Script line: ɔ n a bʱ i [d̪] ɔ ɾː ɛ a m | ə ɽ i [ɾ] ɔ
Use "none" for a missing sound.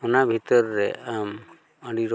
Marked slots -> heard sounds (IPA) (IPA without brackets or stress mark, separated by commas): t̪, ɾ